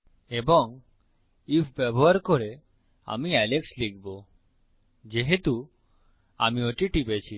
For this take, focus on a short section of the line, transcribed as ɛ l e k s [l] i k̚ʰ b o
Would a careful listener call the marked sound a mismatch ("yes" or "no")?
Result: no